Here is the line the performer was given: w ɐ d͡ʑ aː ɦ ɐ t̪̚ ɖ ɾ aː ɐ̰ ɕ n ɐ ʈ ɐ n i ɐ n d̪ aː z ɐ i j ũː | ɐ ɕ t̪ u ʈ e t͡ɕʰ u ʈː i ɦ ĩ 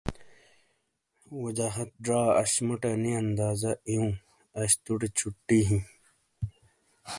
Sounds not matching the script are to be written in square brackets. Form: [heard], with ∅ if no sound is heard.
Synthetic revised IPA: w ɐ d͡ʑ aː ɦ ɐ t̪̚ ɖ ɾ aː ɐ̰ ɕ [m] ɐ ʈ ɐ n i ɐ n d̪ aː z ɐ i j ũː | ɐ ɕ t̪ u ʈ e t͡ɕʰ u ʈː i ɦ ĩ